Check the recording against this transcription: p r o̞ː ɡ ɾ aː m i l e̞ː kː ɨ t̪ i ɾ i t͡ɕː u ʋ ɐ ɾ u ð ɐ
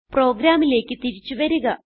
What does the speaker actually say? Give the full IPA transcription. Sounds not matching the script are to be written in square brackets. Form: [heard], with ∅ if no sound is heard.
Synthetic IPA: p r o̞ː ɡ ɾ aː m i l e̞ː kː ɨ t̪ i ɾ i t͡ɕː u ʋ ɐ ɾ u [ɣ] ɐ

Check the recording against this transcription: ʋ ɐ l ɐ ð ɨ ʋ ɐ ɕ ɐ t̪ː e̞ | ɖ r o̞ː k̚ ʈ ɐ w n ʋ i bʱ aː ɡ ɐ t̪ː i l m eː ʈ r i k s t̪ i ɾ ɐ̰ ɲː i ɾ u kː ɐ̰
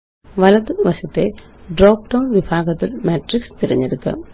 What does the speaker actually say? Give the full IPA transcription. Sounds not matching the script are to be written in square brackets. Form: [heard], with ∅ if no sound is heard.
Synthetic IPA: ʋ ɐ l ɐ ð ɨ ʋ ɐ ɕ ɐ t̪ː e̞ | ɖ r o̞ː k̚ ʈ ɐ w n ʋ i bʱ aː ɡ ɐ t̪ː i l m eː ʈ r i k s t̪ i ɾ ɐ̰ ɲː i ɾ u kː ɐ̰

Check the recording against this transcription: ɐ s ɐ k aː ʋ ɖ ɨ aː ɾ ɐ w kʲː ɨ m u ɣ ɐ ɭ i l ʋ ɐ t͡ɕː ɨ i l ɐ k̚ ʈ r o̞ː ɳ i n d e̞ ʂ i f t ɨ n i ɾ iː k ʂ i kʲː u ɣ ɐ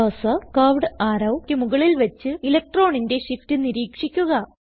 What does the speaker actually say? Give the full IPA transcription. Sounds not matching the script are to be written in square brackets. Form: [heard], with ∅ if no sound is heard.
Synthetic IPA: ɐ s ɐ k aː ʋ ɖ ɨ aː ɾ ɐ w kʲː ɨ m u ɣ ɐ ɭ i l ʋ ɐ t͡ɕː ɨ i l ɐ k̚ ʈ r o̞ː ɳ i n d e̞ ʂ i f t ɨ n i ɾ iː k ʂ i kʲː u ɣ ɐ

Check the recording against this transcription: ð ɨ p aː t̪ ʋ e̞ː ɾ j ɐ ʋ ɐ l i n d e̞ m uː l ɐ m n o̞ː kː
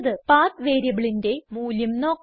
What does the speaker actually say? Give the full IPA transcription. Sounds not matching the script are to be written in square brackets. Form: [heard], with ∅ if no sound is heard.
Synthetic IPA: ð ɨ p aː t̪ ʋ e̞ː ɾ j ɐ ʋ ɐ [ɭ] i n d e̞ m uː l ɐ m n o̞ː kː

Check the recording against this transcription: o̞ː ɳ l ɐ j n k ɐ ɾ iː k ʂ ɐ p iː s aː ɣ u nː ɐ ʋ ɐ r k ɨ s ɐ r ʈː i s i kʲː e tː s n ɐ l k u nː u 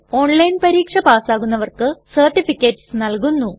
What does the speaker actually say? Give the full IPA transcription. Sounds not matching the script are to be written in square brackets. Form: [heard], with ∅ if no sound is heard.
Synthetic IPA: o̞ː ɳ l ɐ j n [p] ɐ ɾ iː k ʂ ɐ p [aː] s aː ɣ u nː ɐ ʋ ɐ r k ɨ s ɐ r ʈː i [f] i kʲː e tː s n ɐ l k u nː u

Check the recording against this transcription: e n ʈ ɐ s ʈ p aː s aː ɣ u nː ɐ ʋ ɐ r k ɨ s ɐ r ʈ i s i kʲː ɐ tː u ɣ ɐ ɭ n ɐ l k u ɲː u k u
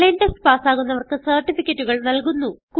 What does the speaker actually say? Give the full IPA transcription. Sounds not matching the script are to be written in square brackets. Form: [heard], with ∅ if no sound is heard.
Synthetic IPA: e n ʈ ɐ s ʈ p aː s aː ɣ u nː ɐ ʋ ɐ r k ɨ s ɐ r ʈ i [f] i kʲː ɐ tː u ɣ ɐ ɭ n ɐ l k u [nː] u k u

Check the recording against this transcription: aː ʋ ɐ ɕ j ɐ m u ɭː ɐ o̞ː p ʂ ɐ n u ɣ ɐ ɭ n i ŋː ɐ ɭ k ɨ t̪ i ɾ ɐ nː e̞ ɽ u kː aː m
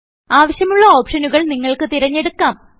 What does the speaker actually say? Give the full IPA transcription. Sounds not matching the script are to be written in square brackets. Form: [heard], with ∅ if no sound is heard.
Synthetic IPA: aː ʋ ɐ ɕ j ɐ m u ɭː ɐ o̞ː p ʂ ɐ n u ɣ ɐ ɭ n i ŋː ɐ ɭ k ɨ t̪ i ɾ ɐ [ɲː] e̞ ɽ u kː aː m

